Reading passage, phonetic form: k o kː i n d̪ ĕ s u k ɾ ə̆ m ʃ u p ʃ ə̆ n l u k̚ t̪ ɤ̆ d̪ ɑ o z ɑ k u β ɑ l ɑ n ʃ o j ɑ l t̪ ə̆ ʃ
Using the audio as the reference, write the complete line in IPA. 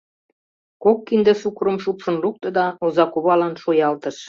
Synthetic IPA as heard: k o kː i n d̪ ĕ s u k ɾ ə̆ m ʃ u p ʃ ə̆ n l u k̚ t̪ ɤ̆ d̪ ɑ o z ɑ k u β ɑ l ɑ n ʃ o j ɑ l t̪ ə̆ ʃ